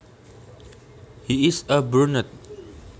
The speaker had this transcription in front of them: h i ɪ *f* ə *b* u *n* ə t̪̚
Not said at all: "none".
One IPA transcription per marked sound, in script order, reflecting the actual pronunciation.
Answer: s, b, n

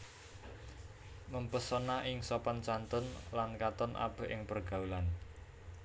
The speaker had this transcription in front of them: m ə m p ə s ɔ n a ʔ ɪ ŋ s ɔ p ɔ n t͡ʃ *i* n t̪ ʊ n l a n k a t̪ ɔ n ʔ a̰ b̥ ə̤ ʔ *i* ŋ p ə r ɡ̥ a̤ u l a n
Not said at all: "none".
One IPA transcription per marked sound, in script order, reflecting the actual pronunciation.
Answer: a, ɪ

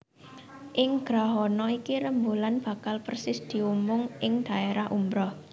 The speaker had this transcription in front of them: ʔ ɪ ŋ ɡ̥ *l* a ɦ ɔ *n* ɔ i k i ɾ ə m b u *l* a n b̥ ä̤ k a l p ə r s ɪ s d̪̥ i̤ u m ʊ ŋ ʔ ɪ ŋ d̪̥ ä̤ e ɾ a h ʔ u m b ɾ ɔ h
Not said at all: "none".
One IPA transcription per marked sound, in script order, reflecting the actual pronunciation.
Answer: ɾ, n, l

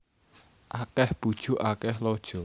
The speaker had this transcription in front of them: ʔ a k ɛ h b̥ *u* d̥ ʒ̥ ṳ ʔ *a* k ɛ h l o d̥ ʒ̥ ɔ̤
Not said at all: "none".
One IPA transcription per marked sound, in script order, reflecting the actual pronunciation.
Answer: u, a

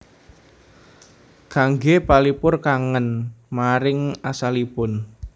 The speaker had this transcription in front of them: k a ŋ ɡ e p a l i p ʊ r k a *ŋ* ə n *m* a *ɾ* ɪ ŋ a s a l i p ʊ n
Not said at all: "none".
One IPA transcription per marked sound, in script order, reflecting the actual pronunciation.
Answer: ŋ, m, ɾ

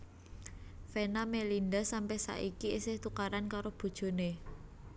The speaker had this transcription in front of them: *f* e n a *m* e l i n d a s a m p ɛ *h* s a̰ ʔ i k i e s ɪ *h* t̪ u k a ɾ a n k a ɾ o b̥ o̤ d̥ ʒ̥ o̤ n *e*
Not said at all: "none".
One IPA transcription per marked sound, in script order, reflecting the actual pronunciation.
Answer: f, m, h, h, e

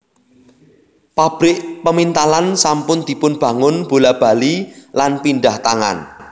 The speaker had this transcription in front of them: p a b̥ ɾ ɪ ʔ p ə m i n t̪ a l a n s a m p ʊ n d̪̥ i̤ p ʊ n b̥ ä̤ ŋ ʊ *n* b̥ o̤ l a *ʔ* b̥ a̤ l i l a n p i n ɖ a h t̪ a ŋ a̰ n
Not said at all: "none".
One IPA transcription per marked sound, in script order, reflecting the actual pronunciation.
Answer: n, none

